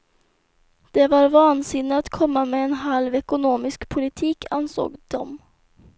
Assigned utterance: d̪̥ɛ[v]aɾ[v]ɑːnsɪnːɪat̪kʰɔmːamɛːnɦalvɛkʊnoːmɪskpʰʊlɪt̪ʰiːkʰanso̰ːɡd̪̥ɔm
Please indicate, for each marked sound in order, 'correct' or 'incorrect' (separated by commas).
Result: correct, correct